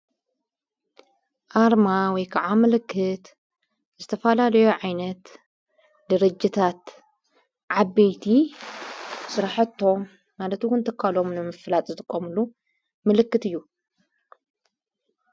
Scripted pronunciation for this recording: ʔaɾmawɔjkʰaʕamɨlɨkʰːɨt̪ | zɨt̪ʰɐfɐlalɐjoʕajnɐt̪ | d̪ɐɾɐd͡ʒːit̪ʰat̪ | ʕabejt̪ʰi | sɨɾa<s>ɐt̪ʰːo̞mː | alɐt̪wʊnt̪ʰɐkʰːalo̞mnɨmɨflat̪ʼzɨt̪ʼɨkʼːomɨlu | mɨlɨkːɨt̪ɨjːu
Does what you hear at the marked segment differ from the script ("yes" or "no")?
yes